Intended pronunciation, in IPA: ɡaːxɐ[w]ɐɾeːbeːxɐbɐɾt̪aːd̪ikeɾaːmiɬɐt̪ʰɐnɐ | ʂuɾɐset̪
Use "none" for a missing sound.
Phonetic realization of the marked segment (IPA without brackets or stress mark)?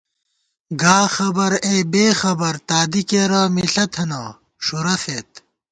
b